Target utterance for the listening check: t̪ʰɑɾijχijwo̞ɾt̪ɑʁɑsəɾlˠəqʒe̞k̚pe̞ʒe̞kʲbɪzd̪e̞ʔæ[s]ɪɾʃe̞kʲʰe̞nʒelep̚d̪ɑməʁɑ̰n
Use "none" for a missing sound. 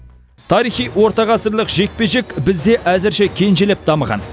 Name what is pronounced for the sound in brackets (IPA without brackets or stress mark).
z